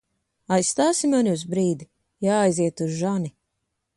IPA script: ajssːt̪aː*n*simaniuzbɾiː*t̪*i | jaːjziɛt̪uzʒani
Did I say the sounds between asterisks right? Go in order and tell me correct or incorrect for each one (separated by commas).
incorrect, incorrect